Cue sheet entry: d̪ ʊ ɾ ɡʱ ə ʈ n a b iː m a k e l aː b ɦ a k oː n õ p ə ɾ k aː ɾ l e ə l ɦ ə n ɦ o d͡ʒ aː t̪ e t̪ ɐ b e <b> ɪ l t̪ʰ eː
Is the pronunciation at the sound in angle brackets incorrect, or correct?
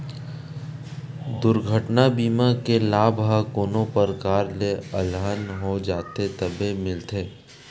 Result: incorrect